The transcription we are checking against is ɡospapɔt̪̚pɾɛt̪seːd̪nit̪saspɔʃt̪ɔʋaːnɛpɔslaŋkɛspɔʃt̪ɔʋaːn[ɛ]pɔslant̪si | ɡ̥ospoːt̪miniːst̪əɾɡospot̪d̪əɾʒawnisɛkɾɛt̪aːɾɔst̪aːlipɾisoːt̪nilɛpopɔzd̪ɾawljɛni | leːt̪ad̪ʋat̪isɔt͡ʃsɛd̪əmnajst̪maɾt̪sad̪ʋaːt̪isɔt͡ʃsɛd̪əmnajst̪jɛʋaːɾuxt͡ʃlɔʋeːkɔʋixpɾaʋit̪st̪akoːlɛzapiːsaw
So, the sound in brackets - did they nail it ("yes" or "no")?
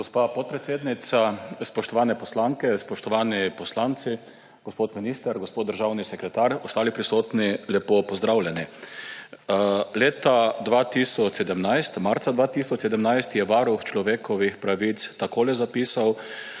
no